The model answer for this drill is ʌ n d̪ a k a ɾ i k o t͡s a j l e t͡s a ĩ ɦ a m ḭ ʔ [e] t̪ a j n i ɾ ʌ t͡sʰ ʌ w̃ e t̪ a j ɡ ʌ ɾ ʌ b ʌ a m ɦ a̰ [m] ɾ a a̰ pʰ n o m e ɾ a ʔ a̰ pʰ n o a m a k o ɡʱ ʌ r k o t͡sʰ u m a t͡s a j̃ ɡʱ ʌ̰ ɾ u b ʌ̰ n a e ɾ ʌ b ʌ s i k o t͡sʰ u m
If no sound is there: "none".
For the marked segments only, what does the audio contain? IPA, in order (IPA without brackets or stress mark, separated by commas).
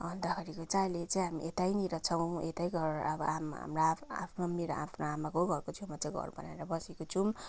e, m